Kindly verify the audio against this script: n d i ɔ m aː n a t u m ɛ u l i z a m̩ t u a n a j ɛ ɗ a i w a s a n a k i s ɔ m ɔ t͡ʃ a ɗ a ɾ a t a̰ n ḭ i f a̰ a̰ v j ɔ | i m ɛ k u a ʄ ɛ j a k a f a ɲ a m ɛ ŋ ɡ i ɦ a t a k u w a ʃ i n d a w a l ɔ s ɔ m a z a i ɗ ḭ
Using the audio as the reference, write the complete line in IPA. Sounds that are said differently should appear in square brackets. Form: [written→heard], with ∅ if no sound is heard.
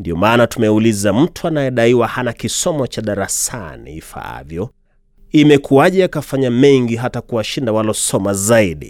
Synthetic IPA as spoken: n d i ɔ m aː n a t u m ɛ u l i z a m̩ t u a n a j ɛ ɗ a i w a [s→h] a n a k i s ɔ m ɔ t͡ʃ a ɗ a ɾ a [t→s] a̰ n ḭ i f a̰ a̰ v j ɔ | i m ɛ k u a ʄ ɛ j a k a f a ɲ a m ɛ ŋ ɡ i ɦ a t a k u w a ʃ i n d a w a l ɔ s ɔ m a z a i ɗ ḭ